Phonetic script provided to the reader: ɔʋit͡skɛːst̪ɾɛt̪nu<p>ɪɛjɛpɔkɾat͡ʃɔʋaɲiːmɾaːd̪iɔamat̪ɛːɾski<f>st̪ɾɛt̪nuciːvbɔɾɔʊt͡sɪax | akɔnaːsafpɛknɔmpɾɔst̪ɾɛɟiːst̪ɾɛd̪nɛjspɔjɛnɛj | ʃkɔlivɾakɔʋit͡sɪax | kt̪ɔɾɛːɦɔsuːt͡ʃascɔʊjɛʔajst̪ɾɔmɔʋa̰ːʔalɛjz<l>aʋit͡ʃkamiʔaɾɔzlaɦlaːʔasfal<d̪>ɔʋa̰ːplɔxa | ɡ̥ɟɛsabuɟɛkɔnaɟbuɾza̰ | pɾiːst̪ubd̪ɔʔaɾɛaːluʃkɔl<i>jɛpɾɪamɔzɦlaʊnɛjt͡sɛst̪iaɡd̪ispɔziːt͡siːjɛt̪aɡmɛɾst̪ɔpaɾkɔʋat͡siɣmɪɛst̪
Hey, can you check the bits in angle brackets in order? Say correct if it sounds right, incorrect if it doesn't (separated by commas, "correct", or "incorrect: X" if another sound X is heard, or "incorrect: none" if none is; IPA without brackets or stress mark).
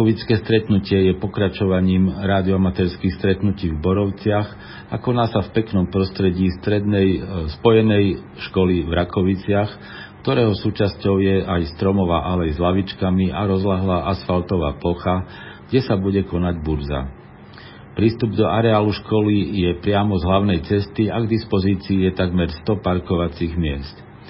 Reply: incorrect: c, incorrect: x, correct, incorrect: t̪, correct